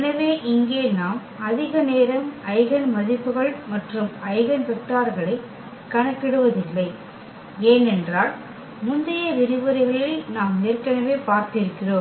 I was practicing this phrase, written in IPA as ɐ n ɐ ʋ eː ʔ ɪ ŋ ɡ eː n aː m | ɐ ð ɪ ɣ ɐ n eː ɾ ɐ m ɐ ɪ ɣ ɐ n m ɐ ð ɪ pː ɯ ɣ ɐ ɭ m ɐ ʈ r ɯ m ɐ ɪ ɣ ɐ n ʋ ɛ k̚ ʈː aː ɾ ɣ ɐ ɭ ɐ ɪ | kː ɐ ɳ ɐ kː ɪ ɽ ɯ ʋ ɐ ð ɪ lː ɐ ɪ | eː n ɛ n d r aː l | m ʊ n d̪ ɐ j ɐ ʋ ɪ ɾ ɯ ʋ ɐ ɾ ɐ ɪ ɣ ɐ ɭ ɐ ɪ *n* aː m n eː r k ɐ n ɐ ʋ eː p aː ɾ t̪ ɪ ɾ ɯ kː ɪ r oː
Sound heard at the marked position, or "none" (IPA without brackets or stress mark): n